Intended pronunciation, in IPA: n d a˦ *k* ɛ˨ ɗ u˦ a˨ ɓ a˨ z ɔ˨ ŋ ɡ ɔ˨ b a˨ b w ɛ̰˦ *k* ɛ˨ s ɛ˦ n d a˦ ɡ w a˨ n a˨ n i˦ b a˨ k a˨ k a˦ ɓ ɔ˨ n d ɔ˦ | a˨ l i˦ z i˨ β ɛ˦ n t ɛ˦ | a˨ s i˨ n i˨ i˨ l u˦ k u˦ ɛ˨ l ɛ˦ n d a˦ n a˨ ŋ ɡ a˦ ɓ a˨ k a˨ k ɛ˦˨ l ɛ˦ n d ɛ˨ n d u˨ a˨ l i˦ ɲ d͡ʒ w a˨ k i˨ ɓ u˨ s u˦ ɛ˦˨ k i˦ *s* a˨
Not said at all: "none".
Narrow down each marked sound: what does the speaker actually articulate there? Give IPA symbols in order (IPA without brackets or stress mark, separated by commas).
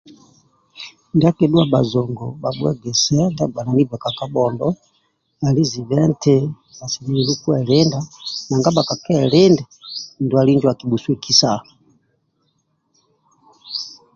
k, ɡ, s